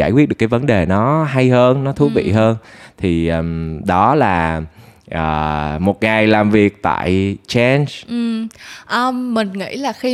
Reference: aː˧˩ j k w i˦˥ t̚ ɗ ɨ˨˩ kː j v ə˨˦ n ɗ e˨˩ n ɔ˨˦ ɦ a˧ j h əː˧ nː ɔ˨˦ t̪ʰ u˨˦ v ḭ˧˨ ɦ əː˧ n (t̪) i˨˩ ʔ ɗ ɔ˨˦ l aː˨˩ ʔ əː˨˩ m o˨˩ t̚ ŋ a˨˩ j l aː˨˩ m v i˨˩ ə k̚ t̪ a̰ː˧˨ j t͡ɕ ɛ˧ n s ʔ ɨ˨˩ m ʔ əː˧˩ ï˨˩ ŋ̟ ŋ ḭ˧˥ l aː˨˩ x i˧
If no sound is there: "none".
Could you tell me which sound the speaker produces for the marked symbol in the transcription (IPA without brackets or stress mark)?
t̪ʰ